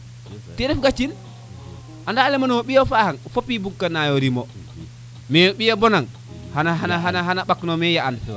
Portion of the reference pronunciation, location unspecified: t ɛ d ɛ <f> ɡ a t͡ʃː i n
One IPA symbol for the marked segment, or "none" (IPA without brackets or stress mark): f